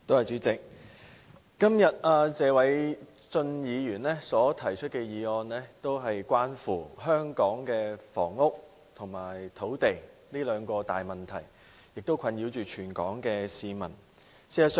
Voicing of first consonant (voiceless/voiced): voiceless